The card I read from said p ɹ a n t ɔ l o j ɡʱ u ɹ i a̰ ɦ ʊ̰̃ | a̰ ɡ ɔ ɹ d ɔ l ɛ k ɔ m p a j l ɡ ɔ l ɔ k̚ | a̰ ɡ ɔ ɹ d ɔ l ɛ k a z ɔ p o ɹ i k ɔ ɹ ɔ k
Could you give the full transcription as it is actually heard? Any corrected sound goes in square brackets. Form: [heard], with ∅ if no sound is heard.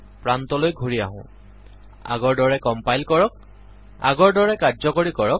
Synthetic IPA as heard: p ɹ a n t ɔ l o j ɡʱ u ɹ i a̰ ɦ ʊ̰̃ | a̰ ɡ ɔ ɹ d ɔ [ɹ] ɛ k ɔ m p a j l [k] ɔ [ɹ] ɔ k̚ | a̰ ɡ ɔ ɹ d ɔ [ɹ] ɛ k a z ɔ [k] o ɹ i k ɔ ɹ ɔ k